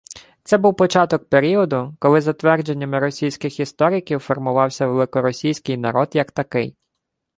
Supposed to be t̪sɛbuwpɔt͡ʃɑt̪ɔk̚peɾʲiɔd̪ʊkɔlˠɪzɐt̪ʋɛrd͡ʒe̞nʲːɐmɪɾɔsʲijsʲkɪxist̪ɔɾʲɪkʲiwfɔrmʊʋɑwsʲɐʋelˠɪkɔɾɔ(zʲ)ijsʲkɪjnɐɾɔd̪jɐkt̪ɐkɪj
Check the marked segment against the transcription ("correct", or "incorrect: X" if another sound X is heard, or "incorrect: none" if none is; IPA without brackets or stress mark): incorrect: sʲ